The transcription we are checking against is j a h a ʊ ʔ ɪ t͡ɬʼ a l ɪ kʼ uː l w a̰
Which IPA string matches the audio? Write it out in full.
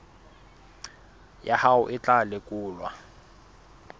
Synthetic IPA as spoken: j a h a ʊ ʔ ɪ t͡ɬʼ a l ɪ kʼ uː l w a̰